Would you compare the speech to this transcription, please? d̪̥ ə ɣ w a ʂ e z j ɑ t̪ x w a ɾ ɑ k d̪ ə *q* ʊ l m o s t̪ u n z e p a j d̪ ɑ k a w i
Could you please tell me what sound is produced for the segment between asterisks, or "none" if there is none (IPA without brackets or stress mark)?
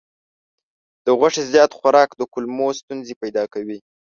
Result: k